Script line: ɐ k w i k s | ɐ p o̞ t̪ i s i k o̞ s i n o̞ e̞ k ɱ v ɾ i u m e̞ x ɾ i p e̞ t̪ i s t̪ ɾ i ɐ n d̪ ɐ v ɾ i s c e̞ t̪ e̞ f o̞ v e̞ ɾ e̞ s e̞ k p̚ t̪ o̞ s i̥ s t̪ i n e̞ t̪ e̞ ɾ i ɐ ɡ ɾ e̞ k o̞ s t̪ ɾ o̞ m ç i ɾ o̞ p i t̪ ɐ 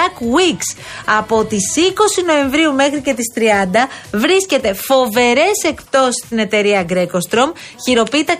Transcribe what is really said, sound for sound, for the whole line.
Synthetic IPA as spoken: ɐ k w i k s | ɐ p o̞ t̪ i s i k o̞ s i n o̞ e̞ ɱ v ɾ i u m e̞ x ɾ i c e̞ t̪ i s t̪ ɾ i ɐ n d̪ ɐ v ɾ i s c e̞ t̪ e̞ f o̞ v e̞ ɾ e̞ s e̞ k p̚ t̪ o̞ s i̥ s t̪ i n e̞ t̪ e̞ ɾ i ɐ ɡ ɾ e̞ k o̞ s t̪ ɾ o̞ m ç i ɾ o̞ p i t̪ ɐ